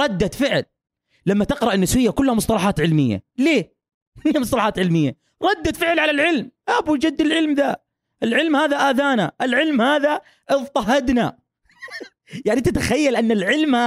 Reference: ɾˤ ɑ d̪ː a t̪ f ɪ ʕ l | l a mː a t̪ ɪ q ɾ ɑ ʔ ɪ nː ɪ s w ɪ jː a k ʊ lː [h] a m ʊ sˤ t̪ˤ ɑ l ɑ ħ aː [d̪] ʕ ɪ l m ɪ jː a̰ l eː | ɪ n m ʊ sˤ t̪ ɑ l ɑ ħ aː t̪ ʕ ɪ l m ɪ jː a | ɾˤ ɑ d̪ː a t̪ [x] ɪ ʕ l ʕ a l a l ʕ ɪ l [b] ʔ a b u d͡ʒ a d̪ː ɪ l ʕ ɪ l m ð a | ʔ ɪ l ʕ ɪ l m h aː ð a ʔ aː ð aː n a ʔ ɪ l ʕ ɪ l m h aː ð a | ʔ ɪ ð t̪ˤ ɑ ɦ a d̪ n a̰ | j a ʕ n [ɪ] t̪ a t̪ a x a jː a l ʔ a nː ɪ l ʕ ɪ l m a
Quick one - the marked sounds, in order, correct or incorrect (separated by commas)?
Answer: correct, incorrect, incorrect, incorrect, incorrect